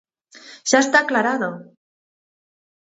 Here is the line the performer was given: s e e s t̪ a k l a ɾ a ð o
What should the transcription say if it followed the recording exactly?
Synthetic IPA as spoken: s a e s t̪ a k l a ɾ a ð o